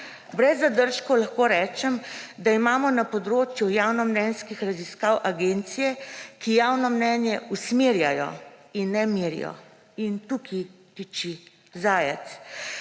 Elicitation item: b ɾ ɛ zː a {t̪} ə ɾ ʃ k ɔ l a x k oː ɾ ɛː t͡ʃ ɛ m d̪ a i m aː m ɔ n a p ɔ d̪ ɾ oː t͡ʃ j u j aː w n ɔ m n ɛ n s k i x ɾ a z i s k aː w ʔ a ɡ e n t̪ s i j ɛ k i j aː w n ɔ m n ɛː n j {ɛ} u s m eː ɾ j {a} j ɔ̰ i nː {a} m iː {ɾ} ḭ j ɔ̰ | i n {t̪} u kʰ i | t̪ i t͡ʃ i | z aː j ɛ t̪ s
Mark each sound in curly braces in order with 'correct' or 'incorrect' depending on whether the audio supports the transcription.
incorrect: d̪, correct, correct, incorrect: ɛ, correct, correct

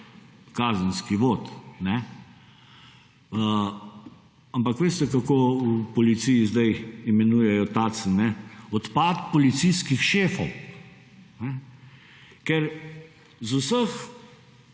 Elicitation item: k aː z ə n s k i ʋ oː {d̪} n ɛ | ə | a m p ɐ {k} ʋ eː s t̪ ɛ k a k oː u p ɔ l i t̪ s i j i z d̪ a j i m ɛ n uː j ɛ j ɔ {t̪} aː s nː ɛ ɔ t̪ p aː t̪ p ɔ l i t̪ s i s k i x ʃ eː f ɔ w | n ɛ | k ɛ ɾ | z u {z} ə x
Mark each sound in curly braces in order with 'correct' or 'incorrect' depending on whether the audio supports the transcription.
incorrect: t̪, correct, correct, incorrect: s

